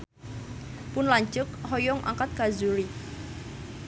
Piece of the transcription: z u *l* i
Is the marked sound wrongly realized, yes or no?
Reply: yes